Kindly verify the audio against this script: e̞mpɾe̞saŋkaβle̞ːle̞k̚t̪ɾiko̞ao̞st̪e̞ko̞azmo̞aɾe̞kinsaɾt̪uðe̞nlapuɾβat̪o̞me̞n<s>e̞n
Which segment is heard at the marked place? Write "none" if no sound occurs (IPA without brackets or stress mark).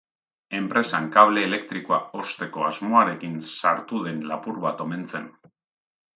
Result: t͡s